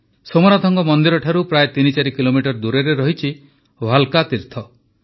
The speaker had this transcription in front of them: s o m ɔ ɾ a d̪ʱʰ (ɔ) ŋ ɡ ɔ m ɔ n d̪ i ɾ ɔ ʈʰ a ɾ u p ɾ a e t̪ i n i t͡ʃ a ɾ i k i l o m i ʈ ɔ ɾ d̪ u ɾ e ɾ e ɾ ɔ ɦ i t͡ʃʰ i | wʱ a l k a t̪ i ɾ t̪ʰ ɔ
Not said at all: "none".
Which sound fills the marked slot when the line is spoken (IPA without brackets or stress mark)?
ɔ